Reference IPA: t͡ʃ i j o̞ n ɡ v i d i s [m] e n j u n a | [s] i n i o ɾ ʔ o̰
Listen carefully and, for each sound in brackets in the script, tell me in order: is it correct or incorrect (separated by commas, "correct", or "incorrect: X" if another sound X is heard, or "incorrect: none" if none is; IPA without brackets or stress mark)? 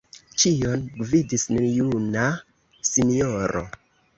incorrect: n, correct